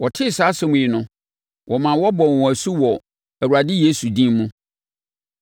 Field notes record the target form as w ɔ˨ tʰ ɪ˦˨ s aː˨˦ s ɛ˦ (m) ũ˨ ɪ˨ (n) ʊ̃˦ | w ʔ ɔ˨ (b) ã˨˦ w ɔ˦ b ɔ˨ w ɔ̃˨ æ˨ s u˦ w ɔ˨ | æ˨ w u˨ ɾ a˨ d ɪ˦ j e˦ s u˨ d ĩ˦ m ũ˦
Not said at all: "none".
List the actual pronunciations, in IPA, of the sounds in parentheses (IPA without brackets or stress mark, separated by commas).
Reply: m, n, m